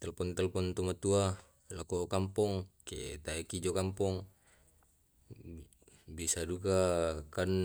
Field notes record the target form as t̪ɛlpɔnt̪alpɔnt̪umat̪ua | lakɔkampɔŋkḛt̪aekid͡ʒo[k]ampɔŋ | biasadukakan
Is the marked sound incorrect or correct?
correct